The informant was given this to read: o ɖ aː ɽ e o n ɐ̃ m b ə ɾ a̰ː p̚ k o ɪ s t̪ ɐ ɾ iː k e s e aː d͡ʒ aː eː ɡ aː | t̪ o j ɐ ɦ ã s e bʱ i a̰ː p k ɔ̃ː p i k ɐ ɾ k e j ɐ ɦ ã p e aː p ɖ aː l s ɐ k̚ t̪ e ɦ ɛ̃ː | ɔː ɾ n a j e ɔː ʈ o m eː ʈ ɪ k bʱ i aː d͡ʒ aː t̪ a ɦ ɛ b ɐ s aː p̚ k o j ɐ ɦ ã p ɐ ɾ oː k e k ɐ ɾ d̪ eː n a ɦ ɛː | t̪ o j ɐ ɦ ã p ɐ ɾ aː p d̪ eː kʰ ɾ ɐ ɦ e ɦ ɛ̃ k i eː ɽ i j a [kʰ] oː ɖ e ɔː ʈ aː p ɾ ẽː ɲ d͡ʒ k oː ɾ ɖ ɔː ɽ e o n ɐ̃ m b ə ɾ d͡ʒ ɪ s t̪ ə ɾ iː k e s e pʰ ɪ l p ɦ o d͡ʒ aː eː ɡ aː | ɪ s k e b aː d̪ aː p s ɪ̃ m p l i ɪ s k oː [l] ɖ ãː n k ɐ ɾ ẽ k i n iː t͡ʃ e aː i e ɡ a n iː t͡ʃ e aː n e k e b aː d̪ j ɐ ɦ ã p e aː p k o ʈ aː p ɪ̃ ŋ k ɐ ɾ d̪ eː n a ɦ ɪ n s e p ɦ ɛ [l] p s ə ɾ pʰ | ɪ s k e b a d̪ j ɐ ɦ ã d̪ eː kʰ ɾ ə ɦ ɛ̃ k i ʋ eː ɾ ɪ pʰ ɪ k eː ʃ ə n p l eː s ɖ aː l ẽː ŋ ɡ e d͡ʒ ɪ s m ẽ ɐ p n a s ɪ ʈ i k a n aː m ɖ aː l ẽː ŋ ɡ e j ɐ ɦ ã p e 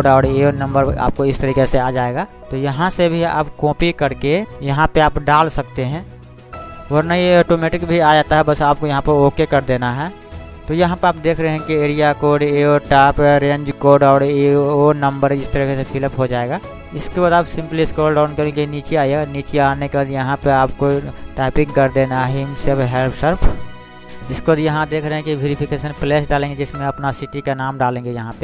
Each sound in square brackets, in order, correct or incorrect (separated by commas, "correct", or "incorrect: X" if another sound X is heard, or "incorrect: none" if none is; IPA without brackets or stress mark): incorrect: k, correct, correct